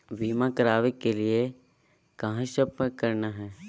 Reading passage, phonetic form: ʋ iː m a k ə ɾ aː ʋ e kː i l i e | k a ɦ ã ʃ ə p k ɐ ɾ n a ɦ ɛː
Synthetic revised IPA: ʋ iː m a k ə ɾ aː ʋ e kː e l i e | k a ɦ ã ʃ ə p k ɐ ɾ n a ɦ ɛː